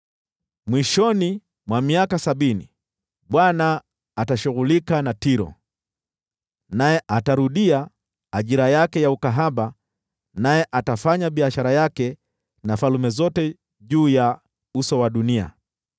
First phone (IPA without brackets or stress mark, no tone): m